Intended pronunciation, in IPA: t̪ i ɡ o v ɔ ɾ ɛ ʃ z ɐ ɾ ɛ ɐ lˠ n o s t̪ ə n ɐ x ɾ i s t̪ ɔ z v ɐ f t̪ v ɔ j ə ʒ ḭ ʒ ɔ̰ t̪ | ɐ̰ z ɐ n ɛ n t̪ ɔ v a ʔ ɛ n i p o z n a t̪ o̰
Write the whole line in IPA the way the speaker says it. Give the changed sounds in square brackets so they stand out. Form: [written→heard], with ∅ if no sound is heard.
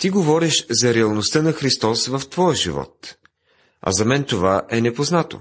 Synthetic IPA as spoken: t̪ i ɡ o v ɔ ɾ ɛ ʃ z ɐ ɾ ɛ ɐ lˠ n o s t̪ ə n ɐ x ɾ i s t̪ ɔ [z→s] v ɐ f t̪ v ɔ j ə ʒ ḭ [ʒ→v] ɔ̰ t̪ | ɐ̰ z ɐ [n→m] ɛ n t̪ [ɔ→o] v a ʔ ɛ n [i→ɛ] p o z n a t̪ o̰